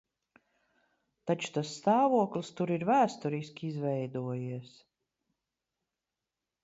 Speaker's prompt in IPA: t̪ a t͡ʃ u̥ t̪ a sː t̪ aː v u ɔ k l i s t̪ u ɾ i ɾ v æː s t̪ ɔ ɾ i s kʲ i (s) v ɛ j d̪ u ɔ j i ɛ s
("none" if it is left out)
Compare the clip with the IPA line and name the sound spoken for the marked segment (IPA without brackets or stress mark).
z